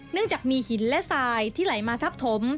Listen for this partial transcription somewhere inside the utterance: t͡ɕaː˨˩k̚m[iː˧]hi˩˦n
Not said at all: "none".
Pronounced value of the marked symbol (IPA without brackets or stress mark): iː˧